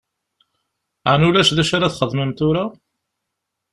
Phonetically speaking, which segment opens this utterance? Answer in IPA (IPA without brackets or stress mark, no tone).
ʕ